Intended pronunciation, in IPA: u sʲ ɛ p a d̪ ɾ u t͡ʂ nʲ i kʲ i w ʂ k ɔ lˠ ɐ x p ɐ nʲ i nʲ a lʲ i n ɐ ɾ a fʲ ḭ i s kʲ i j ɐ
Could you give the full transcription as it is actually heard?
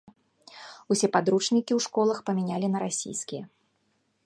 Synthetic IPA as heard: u sʲ ɛ p a d̪ ɾ u t͡ʂ nʲ i kʲ i w ʂ k ɔ lˠ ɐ x p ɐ mʲ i nʲ a lʲ i n ɐ ɾ a sʲ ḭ j s kʲ i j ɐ